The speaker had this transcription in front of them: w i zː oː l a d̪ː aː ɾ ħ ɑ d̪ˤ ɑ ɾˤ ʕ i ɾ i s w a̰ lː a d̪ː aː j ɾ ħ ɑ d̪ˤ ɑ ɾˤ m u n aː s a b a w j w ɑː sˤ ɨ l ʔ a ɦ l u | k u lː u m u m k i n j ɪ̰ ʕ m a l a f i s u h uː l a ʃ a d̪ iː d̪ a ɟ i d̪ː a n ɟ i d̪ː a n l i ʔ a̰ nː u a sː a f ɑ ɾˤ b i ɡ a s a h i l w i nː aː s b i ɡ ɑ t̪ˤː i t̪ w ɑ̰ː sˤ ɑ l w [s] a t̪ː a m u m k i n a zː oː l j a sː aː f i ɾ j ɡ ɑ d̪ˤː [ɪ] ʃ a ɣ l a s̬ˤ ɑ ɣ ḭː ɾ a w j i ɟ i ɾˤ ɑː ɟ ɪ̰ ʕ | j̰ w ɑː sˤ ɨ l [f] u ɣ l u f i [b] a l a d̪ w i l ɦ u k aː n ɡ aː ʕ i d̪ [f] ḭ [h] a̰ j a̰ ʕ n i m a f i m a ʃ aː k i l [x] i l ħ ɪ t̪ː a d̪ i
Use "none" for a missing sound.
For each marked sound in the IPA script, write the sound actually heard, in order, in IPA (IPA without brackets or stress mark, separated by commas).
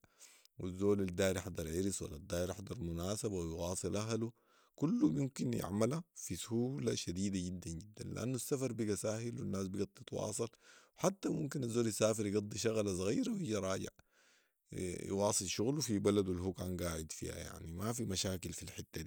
ħ, i, ʃ, b, f, h, f